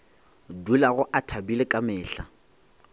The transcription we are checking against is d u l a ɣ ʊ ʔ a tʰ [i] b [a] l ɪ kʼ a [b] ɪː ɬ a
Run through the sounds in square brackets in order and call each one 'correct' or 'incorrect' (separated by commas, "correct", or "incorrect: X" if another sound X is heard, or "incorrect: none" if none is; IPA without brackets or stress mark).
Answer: incorrect: a, incorrect: i, incorrect: m